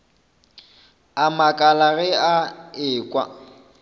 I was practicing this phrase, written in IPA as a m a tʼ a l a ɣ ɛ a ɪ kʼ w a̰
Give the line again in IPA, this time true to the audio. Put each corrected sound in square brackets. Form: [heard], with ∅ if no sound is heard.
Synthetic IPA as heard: a m a [kʼ] a l a ɣ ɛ a [ɪː] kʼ w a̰